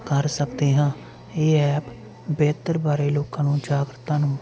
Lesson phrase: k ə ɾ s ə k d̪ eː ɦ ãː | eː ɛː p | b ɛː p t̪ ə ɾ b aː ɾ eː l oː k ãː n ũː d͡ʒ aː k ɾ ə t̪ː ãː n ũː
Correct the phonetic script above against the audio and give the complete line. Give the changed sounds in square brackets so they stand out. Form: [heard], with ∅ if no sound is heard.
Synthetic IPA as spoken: k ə ɾ s ə k d̪ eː ɦ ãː | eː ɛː p | b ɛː [∅] t̪ ə ɾ b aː ɾ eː l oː k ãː n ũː d͡ʒ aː [ɡ] ɾ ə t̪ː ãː n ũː